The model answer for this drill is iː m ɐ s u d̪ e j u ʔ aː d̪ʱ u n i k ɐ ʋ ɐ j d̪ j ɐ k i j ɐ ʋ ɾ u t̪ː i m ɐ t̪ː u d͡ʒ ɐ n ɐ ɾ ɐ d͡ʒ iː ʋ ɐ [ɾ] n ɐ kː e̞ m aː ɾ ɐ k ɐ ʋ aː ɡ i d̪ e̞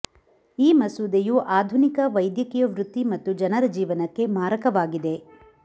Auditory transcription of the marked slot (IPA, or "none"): none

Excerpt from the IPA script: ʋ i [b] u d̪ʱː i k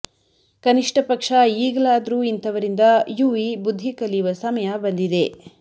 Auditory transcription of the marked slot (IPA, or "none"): b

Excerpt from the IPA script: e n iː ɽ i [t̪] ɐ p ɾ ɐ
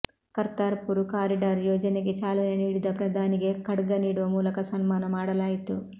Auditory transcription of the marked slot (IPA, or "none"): d̪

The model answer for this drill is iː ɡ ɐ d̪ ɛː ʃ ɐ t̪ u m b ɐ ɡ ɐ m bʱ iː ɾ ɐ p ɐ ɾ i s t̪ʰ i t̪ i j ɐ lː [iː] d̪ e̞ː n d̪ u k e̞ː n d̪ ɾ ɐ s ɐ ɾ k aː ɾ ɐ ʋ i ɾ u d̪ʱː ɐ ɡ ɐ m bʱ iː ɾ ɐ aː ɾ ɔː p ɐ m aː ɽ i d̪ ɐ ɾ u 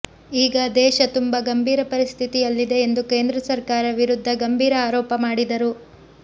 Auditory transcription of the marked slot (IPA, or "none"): i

